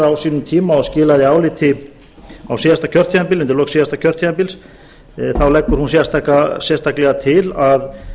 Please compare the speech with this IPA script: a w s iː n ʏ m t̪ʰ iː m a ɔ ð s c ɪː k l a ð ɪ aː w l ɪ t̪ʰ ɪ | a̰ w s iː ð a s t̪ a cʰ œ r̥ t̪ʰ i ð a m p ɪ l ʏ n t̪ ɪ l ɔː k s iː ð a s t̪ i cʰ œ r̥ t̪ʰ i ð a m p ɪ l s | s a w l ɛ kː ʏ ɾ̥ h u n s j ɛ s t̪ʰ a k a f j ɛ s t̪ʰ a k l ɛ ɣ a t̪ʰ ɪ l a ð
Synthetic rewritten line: a w s iː n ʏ m t̪ʰ iː m a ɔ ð s c ɪː l a ð ɪ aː w l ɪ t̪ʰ ɪ | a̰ w s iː ð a s t̪ a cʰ œ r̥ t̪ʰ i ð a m p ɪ l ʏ n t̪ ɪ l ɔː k s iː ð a s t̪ a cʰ œ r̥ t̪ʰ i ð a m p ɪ l s | θ a w l ɛ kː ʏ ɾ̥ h u n s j ɛ s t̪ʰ a k a s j ɛ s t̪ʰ a k l ɛ ɣ a t̪ʰ ɪ l a ð